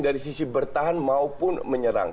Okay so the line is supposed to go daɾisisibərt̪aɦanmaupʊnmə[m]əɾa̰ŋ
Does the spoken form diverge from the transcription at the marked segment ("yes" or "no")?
yes